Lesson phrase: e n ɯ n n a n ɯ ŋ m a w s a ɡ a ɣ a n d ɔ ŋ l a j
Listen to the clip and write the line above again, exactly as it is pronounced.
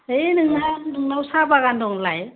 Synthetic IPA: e n ɯ ŋ n a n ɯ ŋ n a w s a b a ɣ a n d ɔ ŋ l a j